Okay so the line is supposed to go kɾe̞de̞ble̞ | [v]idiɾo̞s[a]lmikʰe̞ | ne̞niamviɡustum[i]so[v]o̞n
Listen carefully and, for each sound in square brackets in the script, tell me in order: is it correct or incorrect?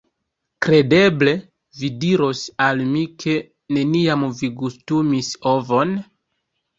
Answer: correct, correct, correct, correct

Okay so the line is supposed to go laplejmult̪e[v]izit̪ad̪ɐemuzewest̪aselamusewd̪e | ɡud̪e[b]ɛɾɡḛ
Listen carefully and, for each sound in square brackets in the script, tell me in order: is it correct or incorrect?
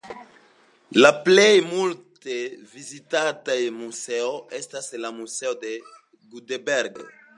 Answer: correct, correct

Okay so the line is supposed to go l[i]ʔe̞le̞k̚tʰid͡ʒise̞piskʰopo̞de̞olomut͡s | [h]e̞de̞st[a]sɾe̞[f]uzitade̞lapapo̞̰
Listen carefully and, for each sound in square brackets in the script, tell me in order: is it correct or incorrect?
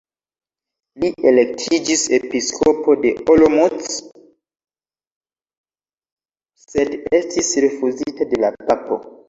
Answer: correct, incorrect: s, incorrect: i, correct

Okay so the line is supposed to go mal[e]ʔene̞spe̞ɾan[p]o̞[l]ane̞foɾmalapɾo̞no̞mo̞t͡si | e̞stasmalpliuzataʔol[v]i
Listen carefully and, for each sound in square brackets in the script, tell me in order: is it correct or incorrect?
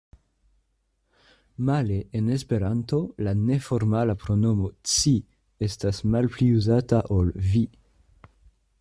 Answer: correct, incorrect: t, correct, correct

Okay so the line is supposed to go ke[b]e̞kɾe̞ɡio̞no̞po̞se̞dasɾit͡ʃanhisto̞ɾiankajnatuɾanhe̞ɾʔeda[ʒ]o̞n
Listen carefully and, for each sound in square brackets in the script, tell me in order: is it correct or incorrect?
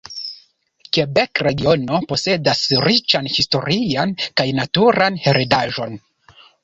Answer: correct, correct

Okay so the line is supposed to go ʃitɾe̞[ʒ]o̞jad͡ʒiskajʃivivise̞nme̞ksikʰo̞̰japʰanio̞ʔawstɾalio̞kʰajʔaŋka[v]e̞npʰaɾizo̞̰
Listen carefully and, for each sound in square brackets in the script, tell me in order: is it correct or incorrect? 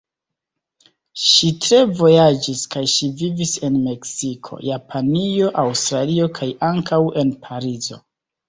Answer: incorrect: v, incorrect: w

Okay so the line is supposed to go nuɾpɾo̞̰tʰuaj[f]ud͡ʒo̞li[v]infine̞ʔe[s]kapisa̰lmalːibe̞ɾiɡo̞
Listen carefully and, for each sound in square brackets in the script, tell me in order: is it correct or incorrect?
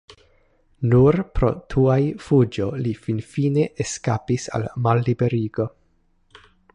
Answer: correct, incorrect: f, correct

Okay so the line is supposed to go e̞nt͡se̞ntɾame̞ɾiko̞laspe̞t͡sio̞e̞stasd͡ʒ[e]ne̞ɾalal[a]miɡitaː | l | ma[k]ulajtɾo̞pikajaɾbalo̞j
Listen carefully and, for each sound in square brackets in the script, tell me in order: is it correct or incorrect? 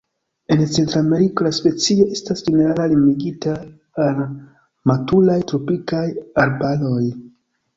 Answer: correct, incorrect: i, incorrect: t

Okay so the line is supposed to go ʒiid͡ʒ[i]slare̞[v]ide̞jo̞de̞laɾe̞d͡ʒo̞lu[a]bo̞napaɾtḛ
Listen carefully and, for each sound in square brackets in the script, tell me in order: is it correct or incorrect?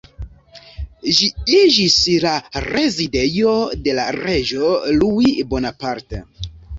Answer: correct, incorrect: z, incorrect: i

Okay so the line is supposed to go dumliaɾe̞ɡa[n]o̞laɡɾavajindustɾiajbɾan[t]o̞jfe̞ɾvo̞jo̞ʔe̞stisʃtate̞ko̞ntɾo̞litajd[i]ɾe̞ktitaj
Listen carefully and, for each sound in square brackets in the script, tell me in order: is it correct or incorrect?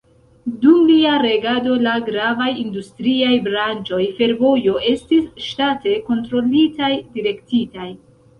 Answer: incorrect: d, incorrect: t͡ʃ, correct

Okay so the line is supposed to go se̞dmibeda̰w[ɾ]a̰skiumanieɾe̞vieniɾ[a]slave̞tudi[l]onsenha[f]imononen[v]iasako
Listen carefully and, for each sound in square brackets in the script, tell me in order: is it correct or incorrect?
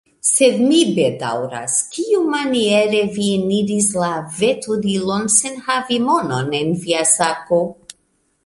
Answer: correct, incorrect: i, correct, incorrect: v, correct

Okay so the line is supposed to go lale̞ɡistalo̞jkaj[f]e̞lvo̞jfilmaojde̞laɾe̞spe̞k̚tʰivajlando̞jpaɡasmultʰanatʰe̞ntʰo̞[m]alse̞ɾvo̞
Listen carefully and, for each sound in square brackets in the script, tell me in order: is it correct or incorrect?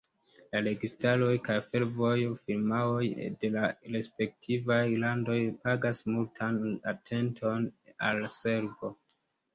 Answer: correct, incorrect: n

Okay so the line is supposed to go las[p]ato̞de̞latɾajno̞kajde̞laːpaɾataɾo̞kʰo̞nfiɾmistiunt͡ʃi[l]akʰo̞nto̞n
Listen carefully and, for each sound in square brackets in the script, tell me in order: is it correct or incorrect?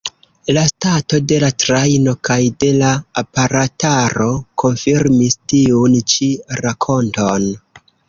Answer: incorrect: t, incorrect: ɾ

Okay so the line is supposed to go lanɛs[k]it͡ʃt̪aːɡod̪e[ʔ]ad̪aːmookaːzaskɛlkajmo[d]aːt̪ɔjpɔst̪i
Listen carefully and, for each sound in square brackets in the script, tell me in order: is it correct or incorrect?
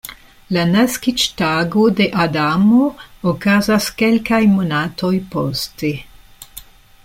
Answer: correct, correct, incorrect: n

